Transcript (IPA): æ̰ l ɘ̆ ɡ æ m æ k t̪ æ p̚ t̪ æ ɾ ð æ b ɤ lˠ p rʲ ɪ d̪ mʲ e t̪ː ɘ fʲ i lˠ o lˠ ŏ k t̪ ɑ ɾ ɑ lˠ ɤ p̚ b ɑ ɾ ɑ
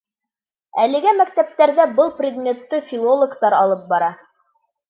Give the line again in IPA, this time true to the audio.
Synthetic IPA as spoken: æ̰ l ɘ̆ ɡ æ m æ k t̪ æ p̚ t̪ æ ɾ ð æ b ɤ lˠ p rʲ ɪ d̪ mʲ e t̪ː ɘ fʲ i lˠ o lˠ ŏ k t̪ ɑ ɾ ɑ lˠ ɤ p̚ b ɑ ɾ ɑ